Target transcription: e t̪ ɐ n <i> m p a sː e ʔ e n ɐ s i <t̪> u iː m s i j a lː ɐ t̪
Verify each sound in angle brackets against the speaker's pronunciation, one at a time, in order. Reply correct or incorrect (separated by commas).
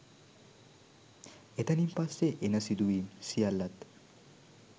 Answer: correct, incorrect